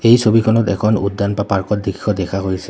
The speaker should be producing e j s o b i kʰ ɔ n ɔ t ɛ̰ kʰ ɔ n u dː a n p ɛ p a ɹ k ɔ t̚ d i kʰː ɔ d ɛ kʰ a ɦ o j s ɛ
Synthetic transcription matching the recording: e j s o b i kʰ ɔ n ɔ t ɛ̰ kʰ ɔ n u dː a n p a p a ɹ k ɔ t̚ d i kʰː ɔ d ɛ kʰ a ɦ o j s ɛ